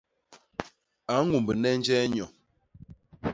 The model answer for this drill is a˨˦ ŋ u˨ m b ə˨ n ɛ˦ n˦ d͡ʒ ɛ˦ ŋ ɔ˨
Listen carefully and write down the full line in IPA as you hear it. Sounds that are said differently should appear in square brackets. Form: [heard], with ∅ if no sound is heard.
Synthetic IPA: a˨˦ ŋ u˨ m b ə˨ n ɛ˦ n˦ d͡ʒ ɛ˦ [ɲ] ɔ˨